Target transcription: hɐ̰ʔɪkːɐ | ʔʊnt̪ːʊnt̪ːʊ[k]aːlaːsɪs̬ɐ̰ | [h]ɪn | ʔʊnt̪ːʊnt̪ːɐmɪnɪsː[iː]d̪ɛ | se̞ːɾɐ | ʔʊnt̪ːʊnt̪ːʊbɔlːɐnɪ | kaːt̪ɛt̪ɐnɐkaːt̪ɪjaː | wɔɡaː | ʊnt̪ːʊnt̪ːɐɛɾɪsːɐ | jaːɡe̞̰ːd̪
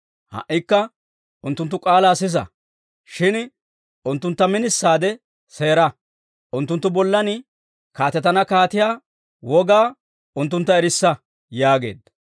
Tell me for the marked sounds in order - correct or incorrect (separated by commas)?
incorrect, incorrect, incorrect